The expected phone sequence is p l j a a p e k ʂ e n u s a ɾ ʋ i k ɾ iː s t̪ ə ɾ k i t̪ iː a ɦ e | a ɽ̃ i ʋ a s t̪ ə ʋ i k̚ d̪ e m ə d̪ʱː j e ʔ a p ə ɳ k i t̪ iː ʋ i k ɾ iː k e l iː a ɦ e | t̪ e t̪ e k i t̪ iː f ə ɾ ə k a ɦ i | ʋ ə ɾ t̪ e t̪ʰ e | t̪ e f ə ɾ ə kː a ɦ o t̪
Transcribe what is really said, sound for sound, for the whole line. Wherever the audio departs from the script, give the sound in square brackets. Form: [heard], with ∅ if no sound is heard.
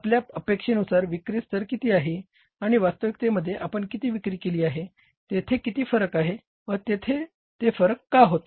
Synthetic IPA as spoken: p l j a [ə] p e k ʂ e n u s a ɾ ʋ i k ɾ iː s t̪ ə ɾ k i t̪ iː a ɦ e | a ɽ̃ i ʋ a s t̪ ə ʋ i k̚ [t̪] e m ə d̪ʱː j e ʔ a p ə ɳ k i t̪ iː ʋ i k ɾ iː k e l iː a ɦ e | t̪ e [t̪ʰ] e k i t̪ iː f ə ɾ ə k a ɦ [e] | ʋ ə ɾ t̪ e t̪ʰ e | t̪ e f ə ɾ ə kː a ɦ o t̪